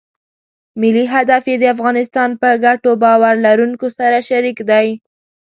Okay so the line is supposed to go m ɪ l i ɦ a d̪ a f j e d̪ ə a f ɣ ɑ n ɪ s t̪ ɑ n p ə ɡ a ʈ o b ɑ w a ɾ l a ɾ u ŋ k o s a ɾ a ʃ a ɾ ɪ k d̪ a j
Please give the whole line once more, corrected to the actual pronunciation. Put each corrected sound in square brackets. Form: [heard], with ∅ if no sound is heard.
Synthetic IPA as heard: m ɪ l i ɦ a d̪ a f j e d̪ ə a f ɣ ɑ n ɪ s t̪ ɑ n p ə ɡ a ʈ o b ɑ w a ɾ l a ɾ u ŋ k o s a ɾ a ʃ a ɾ [i] k d̪ a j